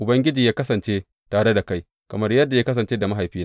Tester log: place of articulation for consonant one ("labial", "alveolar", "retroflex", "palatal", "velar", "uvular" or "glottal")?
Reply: glottal